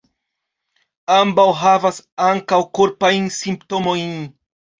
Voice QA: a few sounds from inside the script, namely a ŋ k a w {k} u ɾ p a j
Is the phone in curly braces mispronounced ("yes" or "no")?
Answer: no